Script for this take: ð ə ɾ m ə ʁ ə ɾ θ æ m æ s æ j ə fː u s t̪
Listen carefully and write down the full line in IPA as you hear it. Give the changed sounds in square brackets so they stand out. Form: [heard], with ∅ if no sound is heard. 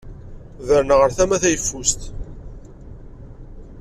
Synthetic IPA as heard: ð ə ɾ [n] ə ʁ ə ɾ θ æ m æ [θ] æ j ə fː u s t̪